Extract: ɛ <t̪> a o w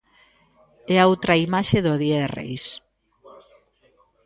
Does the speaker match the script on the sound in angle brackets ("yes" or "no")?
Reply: no